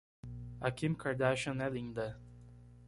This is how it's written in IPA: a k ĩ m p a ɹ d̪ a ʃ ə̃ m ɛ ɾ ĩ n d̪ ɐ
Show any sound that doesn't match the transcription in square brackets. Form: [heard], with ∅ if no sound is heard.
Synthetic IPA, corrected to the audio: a k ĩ m [k] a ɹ d̪ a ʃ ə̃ [n] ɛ [l] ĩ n d̪ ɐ